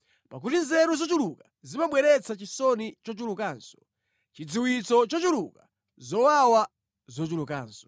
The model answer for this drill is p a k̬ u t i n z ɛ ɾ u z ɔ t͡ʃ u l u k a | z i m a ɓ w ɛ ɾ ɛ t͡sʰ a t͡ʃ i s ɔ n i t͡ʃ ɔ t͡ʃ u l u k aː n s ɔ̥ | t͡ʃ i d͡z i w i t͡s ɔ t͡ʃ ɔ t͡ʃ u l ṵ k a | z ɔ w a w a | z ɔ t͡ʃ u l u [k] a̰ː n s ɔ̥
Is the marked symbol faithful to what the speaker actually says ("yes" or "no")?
yes